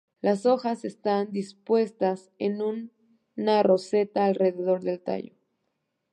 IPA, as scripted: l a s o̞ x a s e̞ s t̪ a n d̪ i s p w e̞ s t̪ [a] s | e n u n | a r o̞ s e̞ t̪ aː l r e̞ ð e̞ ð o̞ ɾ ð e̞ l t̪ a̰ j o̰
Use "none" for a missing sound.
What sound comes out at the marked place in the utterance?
a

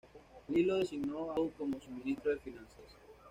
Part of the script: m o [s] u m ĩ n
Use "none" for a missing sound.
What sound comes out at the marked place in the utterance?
s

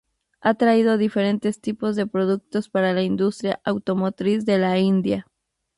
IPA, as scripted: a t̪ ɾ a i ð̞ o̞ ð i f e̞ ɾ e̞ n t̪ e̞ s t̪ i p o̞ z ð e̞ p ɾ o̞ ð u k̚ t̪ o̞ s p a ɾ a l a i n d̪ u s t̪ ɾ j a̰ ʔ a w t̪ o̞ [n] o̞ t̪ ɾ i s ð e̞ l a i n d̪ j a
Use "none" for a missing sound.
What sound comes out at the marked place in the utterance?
m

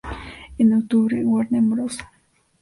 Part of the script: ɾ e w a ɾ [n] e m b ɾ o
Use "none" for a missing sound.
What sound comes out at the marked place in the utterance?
n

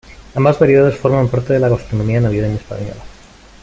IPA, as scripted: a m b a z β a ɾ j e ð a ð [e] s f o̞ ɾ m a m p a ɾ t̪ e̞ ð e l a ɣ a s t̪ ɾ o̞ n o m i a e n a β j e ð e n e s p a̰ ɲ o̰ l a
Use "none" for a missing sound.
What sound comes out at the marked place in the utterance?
e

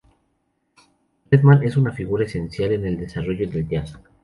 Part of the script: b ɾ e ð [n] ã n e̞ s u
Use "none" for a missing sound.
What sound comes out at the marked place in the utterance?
m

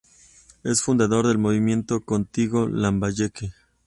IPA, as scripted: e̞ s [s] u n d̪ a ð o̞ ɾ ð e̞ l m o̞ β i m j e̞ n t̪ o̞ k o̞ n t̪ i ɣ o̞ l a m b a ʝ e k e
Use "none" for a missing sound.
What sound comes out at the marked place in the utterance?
f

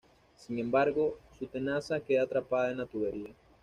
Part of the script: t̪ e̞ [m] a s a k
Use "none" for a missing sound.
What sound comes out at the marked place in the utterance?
n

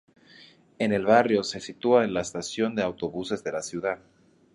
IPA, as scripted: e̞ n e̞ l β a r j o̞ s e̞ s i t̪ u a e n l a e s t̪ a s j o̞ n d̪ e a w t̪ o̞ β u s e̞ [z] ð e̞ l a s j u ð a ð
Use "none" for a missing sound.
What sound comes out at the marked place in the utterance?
z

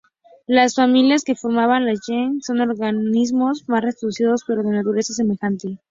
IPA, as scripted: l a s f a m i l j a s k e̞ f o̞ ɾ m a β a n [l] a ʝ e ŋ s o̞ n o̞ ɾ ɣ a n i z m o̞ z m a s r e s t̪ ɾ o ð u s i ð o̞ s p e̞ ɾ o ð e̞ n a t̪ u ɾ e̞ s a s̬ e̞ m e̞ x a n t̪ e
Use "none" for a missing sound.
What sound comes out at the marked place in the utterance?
l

